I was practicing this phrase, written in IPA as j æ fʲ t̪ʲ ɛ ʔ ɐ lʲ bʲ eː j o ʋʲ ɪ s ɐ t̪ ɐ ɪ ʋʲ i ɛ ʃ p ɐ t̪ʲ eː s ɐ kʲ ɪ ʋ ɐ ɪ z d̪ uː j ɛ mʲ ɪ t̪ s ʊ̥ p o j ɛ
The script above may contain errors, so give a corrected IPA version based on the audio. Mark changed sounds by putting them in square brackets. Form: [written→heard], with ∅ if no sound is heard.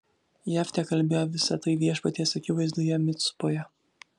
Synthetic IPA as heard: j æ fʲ t̪ʲ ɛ [ʔ→k] ɐ lʲ bʲ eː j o ʋʲ ɪ s ɐ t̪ ɐ ɪ ʋʲ i ɛ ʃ p ɐ t̪ʲ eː s ɐ kʲ ɪ ʋ ɐ ɪ z d̪ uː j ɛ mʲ ɪ t̪ s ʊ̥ p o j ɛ